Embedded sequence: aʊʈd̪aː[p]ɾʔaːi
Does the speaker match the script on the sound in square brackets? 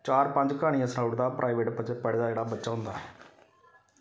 yes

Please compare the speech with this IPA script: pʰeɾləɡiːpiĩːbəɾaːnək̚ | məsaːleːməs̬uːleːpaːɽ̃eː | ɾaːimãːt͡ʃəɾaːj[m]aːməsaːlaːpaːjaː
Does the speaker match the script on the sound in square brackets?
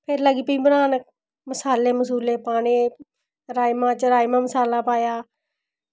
yes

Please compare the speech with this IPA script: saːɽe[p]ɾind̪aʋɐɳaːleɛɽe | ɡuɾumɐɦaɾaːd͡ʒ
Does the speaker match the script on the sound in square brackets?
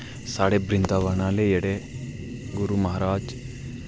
no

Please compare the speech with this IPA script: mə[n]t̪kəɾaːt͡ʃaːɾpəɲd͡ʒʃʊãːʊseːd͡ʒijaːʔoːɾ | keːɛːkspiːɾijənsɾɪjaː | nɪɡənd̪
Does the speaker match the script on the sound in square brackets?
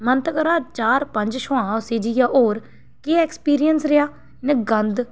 yes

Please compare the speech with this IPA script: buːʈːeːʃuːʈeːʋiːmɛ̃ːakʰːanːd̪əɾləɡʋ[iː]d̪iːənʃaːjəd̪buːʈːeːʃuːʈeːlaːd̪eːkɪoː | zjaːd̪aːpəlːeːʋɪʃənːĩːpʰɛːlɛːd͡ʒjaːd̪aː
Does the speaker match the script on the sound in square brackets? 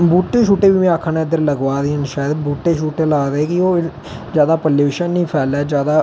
no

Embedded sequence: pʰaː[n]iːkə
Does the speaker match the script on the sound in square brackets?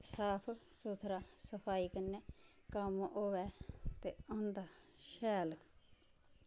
no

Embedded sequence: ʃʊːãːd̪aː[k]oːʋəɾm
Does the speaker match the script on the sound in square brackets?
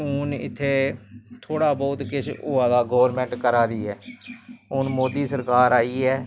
no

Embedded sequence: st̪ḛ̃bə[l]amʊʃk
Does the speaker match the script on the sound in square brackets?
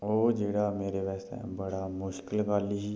no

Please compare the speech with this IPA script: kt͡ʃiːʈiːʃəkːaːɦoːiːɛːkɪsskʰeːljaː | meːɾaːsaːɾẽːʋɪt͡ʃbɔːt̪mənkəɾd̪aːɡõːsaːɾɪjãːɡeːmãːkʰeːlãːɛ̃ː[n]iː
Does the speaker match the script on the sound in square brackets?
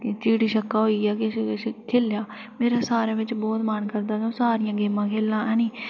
yes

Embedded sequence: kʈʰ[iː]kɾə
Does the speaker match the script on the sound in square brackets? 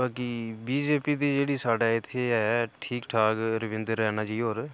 no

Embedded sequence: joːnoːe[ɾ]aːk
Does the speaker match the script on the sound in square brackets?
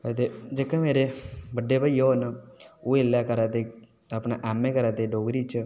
no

